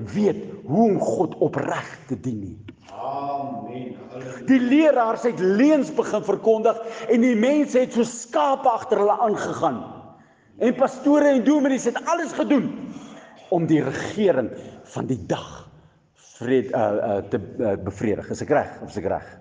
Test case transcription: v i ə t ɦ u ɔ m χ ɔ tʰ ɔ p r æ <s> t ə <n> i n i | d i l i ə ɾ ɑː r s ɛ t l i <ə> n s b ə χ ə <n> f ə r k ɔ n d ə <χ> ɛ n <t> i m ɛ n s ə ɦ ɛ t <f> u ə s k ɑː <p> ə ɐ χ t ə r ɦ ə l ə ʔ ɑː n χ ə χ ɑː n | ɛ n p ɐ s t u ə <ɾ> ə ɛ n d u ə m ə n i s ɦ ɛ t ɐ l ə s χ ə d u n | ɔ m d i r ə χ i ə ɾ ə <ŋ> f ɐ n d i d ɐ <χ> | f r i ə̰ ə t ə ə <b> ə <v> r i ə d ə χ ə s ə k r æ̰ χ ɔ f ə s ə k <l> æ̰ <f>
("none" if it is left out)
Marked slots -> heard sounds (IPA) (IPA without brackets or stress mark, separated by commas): χ, d, ə, n, χ, d, s, p, ɾ, ŋ, χ, b, f, r, χ